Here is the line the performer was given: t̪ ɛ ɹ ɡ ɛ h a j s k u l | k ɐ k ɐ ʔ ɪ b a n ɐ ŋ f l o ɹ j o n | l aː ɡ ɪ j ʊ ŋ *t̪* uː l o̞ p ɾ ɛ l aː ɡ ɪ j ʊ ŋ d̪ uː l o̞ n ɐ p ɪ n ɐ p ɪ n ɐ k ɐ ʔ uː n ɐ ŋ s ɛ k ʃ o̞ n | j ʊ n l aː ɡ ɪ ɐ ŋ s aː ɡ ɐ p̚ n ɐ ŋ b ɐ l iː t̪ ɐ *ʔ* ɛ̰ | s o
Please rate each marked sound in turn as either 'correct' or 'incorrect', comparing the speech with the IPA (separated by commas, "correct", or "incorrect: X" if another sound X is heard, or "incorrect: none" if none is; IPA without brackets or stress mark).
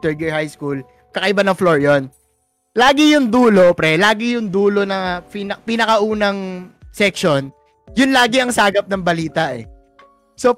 incorrect: d̪, correct